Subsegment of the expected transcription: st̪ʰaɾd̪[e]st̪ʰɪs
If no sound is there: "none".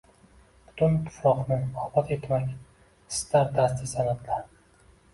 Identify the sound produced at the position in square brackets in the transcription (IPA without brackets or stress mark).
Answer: a